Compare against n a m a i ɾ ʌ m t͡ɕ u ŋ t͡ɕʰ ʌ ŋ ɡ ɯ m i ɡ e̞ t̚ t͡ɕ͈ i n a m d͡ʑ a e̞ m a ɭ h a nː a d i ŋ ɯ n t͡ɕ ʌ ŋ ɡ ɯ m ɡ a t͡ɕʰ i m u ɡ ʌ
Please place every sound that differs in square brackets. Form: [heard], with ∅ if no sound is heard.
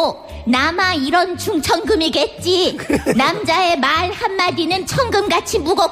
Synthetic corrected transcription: n a m a i ɾ ʌ [n] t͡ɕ u ŋ t͡ɕʰ ʌ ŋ ɡ ɯ m i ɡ e̞ t̚ t͡ɕ͈ i n a m d͡ʑ a e̞ m a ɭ h a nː a d i [n] ɯ n [t͡ɕʰ] ʌ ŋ ɡ ɯ m ɡ a t͡ɕʰ i m u ɡ ʌ